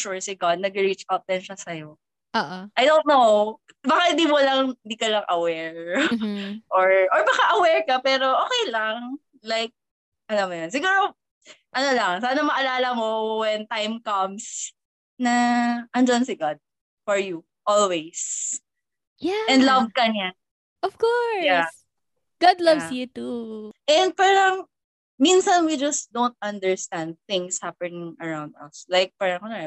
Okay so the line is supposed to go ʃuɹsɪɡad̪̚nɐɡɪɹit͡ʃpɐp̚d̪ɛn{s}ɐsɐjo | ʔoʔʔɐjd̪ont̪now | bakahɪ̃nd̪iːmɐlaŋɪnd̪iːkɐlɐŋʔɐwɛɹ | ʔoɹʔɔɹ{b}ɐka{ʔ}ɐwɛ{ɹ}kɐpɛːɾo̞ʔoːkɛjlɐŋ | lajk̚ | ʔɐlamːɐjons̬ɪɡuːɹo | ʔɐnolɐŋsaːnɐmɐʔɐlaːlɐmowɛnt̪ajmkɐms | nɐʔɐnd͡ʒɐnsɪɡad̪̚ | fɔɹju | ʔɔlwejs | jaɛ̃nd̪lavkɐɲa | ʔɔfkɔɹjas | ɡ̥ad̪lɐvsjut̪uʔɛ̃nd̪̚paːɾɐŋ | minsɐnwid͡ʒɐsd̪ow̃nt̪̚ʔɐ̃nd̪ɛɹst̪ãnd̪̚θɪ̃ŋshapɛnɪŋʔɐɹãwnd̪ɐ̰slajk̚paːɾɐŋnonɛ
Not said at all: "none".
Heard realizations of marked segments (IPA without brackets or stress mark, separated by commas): ʃ, b, ʔ, ɹ